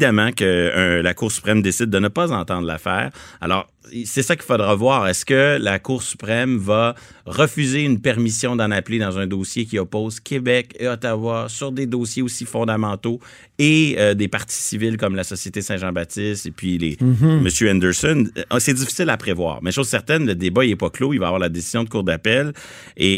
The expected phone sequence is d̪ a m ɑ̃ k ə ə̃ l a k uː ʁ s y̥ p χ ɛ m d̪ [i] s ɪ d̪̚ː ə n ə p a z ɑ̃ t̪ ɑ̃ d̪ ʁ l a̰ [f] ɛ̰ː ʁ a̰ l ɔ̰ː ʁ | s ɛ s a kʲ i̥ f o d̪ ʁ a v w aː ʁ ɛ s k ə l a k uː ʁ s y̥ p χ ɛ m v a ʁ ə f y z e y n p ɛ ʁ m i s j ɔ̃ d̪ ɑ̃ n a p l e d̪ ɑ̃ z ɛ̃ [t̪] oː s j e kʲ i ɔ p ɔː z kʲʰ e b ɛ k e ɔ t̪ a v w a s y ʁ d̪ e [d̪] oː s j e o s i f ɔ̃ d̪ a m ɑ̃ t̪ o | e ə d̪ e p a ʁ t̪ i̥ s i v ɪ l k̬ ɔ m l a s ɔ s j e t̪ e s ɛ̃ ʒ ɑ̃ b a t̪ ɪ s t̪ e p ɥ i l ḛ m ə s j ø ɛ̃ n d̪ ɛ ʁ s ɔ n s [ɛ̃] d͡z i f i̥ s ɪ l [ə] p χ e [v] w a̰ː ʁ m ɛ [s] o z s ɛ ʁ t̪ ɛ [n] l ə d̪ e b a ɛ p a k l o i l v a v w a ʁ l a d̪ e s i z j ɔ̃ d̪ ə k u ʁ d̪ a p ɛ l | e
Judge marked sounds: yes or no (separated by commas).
no, yes, no, yes, no, no, yes, no, yes